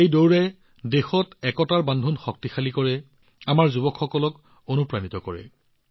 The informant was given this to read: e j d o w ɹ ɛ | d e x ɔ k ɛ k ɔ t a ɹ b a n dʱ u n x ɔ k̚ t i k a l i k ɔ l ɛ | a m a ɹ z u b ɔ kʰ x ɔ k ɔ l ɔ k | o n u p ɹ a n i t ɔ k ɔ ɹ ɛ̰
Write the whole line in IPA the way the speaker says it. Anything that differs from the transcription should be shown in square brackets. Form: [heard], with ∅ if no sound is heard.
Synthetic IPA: e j d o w ɹ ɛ | d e x ɔ [t] ɛ k ɔ t a ɹ b a n dʱ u n x ɔ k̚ t i [x] a l i k ɔ [ɹ] ɛ | a m a ɹ z u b ɔ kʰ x ɔ k ɔ l ɔ k | o n u p ɹ a n i t ɔ k ɔ ɹ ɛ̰